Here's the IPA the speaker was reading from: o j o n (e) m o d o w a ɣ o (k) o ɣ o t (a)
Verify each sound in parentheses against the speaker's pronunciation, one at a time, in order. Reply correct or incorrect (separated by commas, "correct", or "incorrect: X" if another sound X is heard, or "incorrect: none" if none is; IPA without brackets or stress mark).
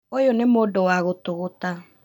correct, incorrect: t, correct